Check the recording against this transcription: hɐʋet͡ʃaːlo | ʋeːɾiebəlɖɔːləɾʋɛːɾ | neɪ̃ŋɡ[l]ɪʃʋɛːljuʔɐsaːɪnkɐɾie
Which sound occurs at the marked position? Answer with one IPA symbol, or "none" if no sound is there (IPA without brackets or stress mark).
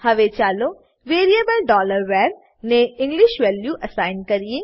l